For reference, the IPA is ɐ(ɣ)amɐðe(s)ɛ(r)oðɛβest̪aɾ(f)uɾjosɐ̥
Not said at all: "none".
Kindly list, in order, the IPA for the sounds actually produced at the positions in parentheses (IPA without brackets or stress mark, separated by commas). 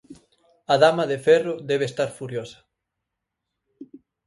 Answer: ð, f, r, f